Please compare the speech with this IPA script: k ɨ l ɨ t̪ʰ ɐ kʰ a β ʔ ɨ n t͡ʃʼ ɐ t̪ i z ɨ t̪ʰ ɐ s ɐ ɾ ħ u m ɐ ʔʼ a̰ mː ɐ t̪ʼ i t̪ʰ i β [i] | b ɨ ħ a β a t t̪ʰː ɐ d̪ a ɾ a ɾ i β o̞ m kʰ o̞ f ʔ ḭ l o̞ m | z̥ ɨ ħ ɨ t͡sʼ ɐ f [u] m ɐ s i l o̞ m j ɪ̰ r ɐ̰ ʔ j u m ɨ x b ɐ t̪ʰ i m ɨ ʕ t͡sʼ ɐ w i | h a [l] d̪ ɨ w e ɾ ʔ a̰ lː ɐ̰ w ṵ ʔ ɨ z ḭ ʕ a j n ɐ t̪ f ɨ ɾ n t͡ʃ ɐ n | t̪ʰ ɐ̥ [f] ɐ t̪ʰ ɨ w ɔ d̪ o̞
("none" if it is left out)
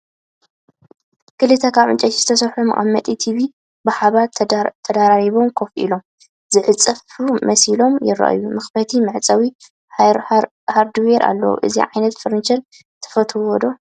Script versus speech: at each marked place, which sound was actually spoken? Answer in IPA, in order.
i, u, ɾ, f

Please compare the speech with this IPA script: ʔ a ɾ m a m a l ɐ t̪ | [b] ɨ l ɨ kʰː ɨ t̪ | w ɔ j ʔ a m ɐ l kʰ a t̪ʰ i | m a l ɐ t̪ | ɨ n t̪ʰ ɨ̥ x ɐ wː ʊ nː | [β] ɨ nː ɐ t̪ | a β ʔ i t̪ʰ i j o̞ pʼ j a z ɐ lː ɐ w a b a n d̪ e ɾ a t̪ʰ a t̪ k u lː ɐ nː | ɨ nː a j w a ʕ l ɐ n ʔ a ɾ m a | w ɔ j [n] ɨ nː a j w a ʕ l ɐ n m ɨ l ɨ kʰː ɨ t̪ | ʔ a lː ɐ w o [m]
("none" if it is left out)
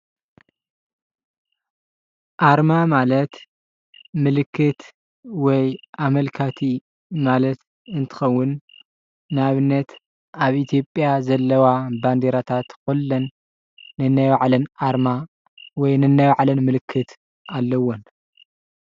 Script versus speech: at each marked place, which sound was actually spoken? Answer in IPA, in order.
m, β, n, n

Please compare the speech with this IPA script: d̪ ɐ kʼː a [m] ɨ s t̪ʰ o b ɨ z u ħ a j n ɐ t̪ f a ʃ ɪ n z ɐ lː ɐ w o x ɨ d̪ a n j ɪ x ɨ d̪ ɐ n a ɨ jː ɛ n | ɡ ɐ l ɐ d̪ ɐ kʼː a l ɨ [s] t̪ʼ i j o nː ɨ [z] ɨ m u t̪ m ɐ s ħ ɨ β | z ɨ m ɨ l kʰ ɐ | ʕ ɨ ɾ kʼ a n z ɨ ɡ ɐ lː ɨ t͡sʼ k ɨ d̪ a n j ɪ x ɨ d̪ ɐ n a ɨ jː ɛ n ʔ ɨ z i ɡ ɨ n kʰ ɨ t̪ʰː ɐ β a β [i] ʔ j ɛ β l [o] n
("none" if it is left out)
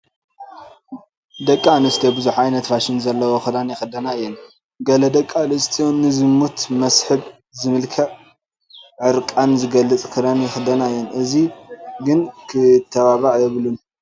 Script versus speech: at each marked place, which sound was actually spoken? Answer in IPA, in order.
n, s, z, a, u

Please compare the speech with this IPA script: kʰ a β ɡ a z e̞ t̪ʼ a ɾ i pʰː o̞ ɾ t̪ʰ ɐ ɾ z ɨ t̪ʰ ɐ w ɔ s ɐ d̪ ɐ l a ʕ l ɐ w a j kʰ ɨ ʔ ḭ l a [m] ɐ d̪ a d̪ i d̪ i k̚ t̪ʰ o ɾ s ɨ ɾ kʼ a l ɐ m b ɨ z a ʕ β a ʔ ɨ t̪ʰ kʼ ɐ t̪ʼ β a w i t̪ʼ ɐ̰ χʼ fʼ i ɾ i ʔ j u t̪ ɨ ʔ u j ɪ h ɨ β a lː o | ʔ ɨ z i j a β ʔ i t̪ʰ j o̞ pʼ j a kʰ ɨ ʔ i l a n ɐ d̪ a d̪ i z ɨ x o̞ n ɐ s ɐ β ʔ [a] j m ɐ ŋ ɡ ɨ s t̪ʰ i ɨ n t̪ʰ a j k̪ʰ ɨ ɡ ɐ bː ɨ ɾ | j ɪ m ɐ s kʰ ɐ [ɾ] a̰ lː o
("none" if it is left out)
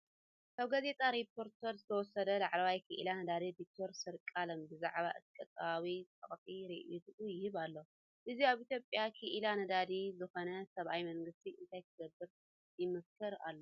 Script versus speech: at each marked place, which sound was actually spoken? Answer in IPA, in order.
n, a, ɾ

